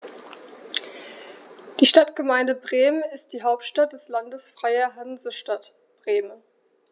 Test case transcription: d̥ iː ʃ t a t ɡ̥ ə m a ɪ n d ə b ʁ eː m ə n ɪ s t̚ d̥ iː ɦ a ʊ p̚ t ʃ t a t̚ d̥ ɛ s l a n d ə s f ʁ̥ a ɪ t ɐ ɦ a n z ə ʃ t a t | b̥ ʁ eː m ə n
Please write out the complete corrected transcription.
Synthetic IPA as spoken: d̥ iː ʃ t a t ɡ̥ ə m a ɪ n d ə b ʁ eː m ə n ɪ s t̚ d̥ iː ɦ a ʊ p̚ t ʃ t a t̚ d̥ ɛ s l a n d ə s f ʁ̥ a ɪ ɐ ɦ a n z ə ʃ t a t | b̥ ʁ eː m ə n